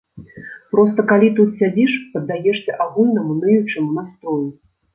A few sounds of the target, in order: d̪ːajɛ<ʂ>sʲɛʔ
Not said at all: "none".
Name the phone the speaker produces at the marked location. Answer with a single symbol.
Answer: ʂ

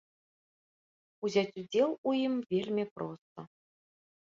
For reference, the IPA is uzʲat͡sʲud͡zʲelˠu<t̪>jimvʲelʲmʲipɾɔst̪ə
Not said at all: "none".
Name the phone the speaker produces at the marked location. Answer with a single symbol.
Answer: none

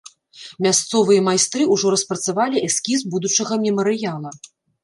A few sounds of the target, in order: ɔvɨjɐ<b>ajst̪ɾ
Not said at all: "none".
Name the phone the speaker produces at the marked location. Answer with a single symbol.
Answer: m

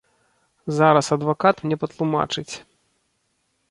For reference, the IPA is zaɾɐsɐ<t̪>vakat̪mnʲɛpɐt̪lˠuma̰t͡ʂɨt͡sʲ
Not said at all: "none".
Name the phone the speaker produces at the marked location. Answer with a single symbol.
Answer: d̪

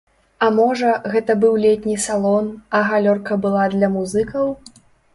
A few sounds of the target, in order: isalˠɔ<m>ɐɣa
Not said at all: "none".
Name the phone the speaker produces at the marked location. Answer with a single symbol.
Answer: n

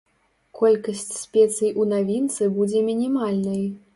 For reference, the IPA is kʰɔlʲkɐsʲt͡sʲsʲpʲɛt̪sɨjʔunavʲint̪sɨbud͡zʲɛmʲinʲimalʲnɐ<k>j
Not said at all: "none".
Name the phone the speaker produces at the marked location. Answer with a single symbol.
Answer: none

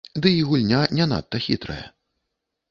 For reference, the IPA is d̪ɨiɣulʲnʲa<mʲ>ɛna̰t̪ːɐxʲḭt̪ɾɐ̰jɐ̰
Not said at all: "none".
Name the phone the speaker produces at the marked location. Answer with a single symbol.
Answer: nʲ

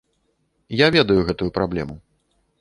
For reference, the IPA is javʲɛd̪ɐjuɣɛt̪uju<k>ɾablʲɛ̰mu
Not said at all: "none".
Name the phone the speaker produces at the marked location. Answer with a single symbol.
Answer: p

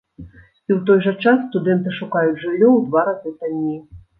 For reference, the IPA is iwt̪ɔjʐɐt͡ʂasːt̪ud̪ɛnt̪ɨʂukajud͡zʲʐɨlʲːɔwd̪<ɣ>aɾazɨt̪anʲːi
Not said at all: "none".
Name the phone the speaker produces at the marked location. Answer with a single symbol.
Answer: v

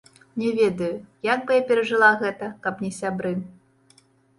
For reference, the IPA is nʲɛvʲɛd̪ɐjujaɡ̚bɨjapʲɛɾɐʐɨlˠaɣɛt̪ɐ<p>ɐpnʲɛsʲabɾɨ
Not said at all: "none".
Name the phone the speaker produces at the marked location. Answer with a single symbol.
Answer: k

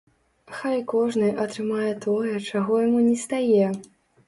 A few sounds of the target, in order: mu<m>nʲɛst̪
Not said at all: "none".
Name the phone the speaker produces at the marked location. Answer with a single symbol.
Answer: none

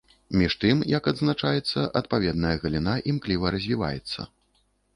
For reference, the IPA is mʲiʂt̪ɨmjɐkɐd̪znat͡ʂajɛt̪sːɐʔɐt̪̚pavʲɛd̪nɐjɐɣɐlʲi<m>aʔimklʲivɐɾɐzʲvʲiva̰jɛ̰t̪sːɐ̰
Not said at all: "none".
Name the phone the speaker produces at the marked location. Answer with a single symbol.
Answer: n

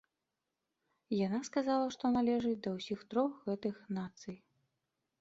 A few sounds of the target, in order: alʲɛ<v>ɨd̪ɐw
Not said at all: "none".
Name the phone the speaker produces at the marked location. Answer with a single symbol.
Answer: ʐ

